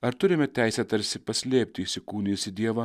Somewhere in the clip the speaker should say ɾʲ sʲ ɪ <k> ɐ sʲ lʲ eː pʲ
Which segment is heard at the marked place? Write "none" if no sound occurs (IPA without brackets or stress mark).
p